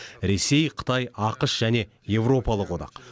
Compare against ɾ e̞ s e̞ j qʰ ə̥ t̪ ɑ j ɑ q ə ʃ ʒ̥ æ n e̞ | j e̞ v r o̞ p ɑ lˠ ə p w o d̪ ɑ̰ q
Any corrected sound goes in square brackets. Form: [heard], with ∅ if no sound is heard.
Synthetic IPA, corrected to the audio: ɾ e̞ s e̞ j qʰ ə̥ t̪ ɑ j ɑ q ə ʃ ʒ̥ æ n e̞ | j e̞ v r o̞ p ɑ lˠ ə [q] w o d̪ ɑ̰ q